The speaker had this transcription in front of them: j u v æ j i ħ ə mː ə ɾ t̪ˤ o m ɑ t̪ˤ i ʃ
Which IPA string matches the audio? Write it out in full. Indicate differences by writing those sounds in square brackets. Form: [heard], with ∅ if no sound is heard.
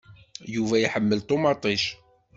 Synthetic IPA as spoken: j u v æ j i ħ ə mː ə [l] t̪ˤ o m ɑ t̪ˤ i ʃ